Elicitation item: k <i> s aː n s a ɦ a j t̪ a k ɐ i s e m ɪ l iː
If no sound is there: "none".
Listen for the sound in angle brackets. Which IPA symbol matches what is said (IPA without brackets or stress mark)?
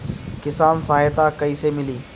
ɪ